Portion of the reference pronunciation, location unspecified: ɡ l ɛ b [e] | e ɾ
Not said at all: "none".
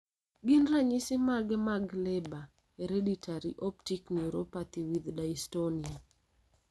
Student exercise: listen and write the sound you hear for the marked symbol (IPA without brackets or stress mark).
a